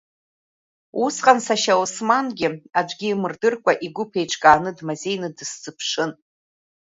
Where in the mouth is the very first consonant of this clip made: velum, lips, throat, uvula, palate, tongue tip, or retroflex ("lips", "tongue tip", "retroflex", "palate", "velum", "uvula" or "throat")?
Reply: tongue tip